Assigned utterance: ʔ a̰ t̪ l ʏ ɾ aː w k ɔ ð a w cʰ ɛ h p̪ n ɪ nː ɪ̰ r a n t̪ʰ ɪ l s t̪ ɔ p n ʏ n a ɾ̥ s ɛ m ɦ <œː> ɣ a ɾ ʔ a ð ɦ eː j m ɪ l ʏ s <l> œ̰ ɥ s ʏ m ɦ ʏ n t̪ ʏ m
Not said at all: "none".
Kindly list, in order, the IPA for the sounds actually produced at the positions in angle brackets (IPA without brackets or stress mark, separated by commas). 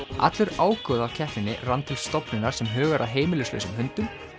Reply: œː, l